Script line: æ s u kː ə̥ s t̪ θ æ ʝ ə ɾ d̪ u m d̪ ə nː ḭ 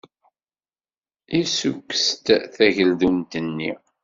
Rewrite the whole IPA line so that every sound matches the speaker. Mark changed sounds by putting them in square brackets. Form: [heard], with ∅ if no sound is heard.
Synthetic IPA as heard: [i] s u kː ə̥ s t̪ θ æ ʝ ə [l] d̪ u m [t̪] ə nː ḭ